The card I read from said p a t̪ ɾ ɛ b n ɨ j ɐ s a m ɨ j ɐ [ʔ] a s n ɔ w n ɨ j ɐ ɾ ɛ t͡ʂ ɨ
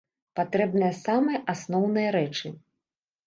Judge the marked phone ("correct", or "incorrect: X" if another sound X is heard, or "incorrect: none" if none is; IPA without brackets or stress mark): correct